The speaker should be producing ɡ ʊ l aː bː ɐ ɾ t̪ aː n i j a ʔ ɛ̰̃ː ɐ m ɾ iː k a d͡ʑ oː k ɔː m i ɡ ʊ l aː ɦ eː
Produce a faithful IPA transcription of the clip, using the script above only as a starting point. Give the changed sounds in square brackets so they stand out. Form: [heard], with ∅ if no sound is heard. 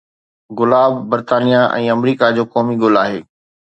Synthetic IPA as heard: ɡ ʊ l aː bː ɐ ɾ t̪ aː n i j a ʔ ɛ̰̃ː ɐ m ɾ iː k a d͡ʑ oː k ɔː m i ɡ ʊ l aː ɦ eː